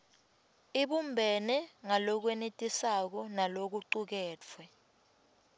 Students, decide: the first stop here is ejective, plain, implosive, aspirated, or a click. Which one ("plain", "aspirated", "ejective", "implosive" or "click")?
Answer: implosive